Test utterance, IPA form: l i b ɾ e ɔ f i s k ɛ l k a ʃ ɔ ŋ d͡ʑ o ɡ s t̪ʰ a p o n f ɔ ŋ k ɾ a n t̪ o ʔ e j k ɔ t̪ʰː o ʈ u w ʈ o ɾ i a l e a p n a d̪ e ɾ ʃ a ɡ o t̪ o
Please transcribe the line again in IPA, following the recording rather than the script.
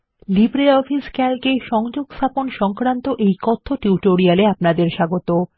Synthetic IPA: l i b ɾ e ɔ f i s k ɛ l k e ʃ ɔ ŋ d͡ʑ o ɡ s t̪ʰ a p o n ʃ ɔ ŋ k ɾ a n t̪ o ʔ e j k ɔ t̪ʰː o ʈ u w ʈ o ɾ i a l e a p n a d̪ e ɾ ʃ a ɡ o t̪ o